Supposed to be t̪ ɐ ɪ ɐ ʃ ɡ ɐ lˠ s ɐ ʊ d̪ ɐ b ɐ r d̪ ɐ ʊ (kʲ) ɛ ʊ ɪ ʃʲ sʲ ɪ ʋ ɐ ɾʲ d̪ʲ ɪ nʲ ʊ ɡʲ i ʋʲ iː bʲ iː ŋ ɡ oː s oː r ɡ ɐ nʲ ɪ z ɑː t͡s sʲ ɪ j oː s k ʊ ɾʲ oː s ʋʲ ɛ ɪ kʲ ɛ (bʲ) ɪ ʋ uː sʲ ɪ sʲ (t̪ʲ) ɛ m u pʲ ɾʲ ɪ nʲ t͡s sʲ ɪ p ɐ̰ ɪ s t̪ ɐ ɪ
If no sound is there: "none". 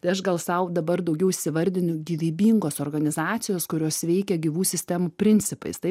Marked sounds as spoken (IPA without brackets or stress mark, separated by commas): ɡʲ, ɡʲ, t̪ʲ